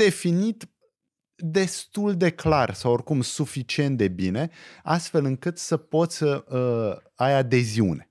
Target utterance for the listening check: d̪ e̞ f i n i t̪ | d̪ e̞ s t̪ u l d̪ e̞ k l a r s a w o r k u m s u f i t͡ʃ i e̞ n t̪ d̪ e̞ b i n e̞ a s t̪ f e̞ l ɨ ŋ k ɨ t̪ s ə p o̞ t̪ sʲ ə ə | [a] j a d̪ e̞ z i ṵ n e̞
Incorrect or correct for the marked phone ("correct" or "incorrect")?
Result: correct